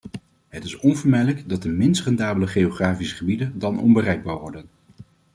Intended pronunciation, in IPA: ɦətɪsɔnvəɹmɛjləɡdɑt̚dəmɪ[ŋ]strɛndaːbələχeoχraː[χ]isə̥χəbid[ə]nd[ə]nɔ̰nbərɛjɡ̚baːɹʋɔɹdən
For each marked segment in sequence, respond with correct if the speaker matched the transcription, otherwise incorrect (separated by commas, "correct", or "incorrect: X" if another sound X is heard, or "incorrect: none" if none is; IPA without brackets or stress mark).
incorrect: n, incorrect: f, correct, incorrect: ɑ